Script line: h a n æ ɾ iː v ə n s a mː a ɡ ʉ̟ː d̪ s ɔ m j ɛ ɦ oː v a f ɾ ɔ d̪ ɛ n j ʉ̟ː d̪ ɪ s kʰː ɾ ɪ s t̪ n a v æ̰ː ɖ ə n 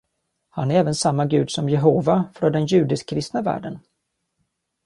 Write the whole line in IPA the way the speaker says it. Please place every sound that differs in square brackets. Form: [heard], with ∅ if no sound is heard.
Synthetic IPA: h a n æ ɾ [ɛː] v ə n s a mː a ɡ ʉ̟ː d̪ s ɔ m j ɛ ɦ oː v a f ɾ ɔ d̪ ɛ n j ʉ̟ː d̪ ɪ s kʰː ɾ ɪ s t̪ n a v æ̰ː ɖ ə n